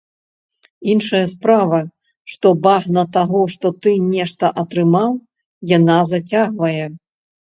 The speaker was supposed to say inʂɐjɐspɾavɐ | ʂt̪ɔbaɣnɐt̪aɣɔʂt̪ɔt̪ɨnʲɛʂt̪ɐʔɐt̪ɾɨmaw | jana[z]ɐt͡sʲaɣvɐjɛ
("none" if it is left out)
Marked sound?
z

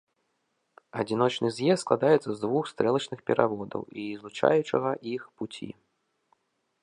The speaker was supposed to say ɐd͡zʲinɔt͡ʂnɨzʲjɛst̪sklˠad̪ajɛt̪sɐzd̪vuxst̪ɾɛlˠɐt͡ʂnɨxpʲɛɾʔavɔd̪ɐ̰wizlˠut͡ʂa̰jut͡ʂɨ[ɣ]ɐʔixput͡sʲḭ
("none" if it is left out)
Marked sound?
ɣ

